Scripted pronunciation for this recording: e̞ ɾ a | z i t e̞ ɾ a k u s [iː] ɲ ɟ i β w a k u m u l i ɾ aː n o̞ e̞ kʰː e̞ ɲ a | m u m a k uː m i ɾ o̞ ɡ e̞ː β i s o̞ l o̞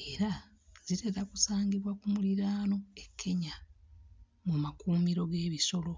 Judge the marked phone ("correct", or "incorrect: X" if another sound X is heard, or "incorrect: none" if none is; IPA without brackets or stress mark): incorrect: aː